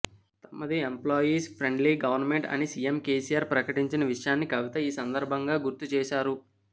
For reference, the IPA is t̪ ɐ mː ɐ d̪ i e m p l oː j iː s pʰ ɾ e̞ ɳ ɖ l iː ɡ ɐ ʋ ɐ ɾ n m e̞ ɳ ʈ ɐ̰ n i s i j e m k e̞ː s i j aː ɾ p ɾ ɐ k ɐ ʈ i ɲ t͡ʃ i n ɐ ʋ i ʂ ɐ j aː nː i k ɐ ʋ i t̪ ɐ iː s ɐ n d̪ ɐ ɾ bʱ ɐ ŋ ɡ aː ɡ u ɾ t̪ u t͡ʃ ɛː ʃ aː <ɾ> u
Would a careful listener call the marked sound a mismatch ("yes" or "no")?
no